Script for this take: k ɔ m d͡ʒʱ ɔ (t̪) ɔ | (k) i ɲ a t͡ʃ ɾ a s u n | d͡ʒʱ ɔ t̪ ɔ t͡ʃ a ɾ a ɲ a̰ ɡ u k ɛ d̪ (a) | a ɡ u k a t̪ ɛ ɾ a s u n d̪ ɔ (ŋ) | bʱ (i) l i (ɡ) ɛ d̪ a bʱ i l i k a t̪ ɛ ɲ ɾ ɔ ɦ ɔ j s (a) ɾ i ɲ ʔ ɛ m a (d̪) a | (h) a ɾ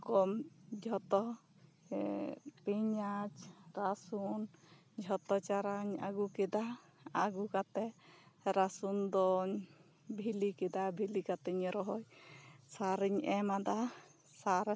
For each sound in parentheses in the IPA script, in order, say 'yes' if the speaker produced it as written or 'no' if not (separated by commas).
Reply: yes, no, yes, no, yes, no, yes, yes, no